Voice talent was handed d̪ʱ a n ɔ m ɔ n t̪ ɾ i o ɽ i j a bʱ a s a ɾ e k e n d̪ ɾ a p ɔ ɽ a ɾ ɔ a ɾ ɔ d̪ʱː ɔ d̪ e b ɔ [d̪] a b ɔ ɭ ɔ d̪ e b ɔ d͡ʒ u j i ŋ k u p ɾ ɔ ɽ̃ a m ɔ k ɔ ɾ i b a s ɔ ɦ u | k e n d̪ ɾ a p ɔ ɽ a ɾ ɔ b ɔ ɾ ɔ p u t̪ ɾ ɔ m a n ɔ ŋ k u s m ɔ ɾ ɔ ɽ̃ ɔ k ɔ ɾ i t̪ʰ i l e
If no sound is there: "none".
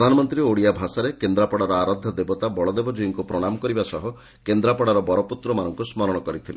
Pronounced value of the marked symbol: t̪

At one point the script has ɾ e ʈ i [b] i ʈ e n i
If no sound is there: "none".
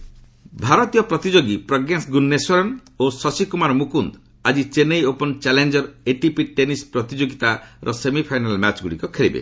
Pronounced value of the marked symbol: p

